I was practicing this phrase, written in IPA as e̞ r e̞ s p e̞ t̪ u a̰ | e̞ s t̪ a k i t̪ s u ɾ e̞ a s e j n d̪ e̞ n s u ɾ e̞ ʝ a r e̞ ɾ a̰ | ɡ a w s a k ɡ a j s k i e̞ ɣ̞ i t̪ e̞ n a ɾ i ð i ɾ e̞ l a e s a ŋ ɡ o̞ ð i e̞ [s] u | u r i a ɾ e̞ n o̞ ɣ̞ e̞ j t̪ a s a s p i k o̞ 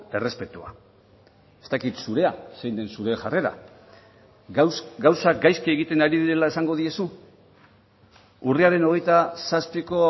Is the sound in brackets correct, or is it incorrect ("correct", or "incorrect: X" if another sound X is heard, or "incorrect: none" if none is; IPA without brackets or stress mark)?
correct